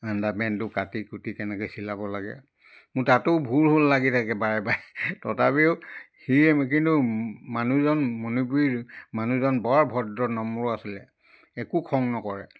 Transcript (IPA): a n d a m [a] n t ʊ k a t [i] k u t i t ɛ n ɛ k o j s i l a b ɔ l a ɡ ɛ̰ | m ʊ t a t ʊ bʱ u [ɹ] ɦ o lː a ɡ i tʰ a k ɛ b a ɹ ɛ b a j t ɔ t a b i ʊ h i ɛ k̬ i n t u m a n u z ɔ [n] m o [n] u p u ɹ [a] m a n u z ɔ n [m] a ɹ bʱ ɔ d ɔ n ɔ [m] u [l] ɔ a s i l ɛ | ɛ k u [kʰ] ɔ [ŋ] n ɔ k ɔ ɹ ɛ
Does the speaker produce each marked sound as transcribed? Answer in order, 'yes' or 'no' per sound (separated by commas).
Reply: no, yes, no, yes, yes, no, no, yes, no, yes, yes